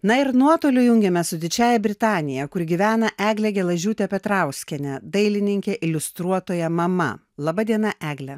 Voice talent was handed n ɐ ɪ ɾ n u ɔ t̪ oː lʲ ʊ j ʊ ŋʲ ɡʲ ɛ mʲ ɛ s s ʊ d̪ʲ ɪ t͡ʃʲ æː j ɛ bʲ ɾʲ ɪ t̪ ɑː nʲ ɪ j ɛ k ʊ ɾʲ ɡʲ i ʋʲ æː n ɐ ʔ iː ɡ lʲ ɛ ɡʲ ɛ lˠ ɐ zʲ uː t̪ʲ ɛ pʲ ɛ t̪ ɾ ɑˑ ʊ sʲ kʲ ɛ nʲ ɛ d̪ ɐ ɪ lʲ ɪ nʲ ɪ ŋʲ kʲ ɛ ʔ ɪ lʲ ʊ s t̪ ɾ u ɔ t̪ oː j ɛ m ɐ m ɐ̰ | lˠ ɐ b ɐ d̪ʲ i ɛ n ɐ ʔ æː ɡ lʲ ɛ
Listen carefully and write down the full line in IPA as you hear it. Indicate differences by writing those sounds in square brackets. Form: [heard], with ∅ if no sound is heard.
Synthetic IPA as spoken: n ɐ ɪ ɾ n u ɔ t̪ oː lʲ ʊ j ʊ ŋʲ ɡʲ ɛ mʲ ɛ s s ʊ d̪ʲ ɪ t͡ʃʲ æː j ɛ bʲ ɾʲ ɪ t̪ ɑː nʲ ɪ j ɛ k ʊ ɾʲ ɡʲ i ʋʲ æː n ɐ ʔ [æː] ɡ lʲ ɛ ɡʲ ɛ lˠ ɐ [ʒʲ] uː t̪ʲ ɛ pʲ ɛ t̪ ɾ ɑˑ ʊ sʲ kʲ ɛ nʲ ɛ d̪ ɐ ɪ lʲ ɪ nʲ ɪ ŋʲ kʲ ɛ ʔ ɪ lʲ ʊ s t̪ ɾ u ɔ t̪ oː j ɛ m ɐ m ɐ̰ | lˠ ɐ b ɐ d̪ʲ i ɛ n ɐ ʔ æː ɡ lʲ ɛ

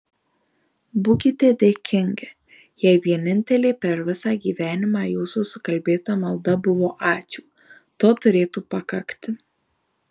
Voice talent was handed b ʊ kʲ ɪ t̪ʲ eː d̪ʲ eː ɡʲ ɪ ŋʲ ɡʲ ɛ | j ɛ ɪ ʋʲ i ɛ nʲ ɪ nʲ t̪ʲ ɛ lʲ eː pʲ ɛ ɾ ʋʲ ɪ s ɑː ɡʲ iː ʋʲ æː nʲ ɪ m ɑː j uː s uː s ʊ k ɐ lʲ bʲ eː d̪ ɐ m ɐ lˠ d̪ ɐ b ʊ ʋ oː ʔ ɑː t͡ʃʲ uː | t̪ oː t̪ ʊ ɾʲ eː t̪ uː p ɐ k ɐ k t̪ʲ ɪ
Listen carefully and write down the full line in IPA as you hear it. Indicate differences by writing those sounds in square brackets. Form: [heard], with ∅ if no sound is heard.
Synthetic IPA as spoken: b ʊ kʲ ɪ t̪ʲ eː d̪ʲ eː [kʲ] ɪ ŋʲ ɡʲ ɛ | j ɛ ɪ ʋʲ i ɛ nʲ ɪ nʲ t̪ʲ ɛ lʲ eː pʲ ɛ ɾ ʋʲ ɪ s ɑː ɡʲ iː ʋʲ æː nʲ ɪ m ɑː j uː s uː s ʊ k ɐ lʲ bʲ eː [t̪] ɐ m ɐ lˠ d̪ ɐ b ʊ ʋ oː ʔ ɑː t͡ʃʲ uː | t̪ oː t̪ ʊ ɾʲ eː t̪ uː p ɐ k ɐ k t̪ʲ ɪ

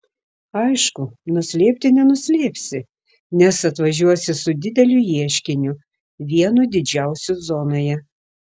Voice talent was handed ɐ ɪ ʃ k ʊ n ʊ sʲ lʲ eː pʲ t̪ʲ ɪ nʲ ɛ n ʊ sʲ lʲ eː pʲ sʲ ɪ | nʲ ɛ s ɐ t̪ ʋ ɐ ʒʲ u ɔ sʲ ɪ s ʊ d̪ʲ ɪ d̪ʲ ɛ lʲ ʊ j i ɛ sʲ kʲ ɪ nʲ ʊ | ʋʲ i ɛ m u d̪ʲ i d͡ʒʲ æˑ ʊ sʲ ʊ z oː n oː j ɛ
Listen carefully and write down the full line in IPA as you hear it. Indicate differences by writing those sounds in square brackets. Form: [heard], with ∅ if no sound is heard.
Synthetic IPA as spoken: ɐ ɪ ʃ k ʊ n ʊ sʲ lʲ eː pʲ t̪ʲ ɪ nʲ ɛ n ʊ sʲ lʲ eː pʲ sʲ ɪ | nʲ ɛ s ɐ t̪ ʋ ɐ ʒʲ u ɔ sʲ ɪ s ʊ d̪ʲ ɪ d̪ʲ ɛ lʲ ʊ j i ɛ [ʃʲ] kʲ ɪ nʲ ʊ | ʋʲ i ɛ [n] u d̪ʲ [ɪ] d͡ʒʲ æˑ ʊ sʲ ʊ z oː n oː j ɛ

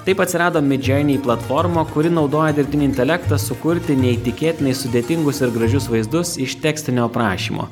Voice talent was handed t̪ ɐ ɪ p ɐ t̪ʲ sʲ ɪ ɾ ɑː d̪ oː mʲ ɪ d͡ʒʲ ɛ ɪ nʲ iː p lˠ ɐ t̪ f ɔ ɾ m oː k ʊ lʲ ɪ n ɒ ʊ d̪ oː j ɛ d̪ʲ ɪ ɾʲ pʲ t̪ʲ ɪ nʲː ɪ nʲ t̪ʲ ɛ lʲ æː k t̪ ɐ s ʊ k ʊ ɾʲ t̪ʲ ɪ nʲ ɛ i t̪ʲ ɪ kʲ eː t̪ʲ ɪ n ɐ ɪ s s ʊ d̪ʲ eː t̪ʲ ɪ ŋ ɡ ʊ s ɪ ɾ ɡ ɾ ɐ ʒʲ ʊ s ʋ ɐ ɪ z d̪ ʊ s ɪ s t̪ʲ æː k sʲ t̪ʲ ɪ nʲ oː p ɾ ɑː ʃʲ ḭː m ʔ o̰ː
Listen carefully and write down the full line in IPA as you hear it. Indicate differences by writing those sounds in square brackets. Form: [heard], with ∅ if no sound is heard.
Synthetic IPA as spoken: t̪ ɐ ɪ p ɐ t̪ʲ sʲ ɪ ɾ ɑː d̪ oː mʲ ɪ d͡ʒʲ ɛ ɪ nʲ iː p lˠ ɐ t̪ f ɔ ɾ m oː k ʊ [ɾʲ] ɪ n ɒ ʊ d̪ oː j ɛ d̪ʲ ɪ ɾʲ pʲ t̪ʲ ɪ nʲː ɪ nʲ t̪ʲ ɛ lʲ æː k t̪ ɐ s ʊ k ʊ ɾʲ t̪ʲ ɪ nʲ ɛ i t̪ʲ ɪ kʲ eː t̪ʲ ɪ n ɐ ɪ s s ʊ d̪ʲ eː t̪ʲ ɪ ŋ ɡ ʊ s ɪ ɾ ɡ ɾ ɐ ʒʲ ʊ s ʋ ɐ ɪ z d̪ ʊ s ɪ [ʃ] t̪ʲ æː k sʲ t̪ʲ ɪ nʲ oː p ɾ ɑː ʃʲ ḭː m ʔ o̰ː

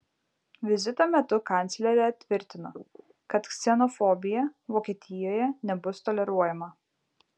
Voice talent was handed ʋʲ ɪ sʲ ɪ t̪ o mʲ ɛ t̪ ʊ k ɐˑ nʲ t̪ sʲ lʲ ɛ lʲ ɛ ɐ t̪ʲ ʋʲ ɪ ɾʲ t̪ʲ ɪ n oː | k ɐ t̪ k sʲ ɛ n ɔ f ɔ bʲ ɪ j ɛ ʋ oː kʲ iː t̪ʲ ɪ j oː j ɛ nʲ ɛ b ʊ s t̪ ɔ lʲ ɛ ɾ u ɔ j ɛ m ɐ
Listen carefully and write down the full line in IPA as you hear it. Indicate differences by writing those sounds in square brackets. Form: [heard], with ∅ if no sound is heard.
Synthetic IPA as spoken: ʋʲ ɪ [zʲ] ɪ t̪ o mʲ ɛ t̪ ʊ k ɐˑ nʲ t̪ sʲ lʲ ɛ [ɾʲ] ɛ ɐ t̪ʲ ʋʲ ɪ ɾʲ t̪ʲ ɪ n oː | k ɐ t̪ k sʲ ɛ n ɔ f ɔ bʲ ɪ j ɛ ʋ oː kʲ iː t̪ʲ ɪ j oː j ɛ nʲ ɛ b ʊ s t̪ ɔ lʲ ɛ ɾ u ɔ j ɛ m ɐ

